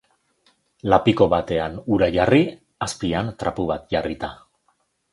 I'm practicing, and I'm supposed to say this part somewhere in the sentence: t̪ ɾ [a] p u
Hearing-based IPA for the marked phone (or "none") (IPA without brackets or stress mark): a